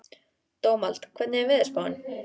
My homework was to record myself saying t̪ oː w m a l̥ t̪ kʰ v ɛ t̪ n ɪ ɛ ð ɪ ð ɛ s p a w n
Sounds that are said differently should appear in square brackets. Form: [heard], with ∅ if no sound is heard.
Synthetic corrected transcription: t̪ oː w m a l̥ t̪ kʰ v ɛ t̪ n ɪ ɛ [v] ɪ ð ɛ s p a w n